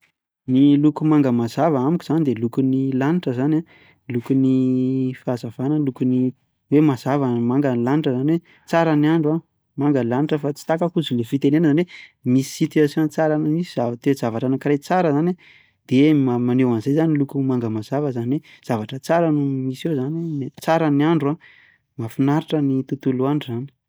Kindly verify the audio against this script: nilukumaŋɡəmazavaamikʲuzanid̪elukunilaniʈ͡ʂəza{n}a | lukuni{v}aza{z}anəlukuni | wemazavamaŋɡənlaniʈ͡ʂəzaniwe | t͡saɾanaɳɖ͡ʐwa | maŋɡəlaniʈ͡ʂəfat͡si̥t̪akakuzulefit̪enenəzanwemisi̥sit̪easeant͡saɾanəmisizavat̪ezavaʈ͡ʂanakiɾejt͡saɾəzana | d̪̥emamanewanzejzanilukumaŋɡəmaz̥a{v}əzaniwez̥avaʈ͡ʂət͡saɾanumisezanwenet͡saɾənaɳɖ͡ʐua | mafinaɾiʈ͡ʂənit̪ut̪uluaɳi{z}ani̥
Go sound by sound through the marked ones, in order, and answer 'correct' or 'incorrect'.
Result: correct, incorrect: f, incorrect: v, correct, correct

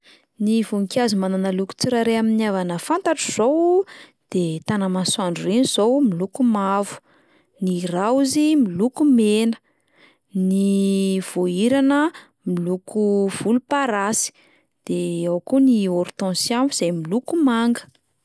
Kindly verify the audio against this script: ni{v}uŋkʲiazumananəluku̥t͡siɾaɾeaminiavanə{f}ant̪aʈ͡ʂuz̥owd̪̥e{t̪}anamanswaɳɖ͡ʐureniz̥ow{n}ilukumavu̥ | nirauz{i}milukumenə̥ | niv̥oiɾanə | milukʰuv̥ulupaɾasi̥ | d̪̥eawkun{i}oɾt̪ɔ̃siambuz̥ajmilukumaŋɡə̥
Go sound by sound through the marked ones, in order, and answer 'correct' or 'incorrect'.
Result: correct, correct, correct, incorrect: m, correct, correct

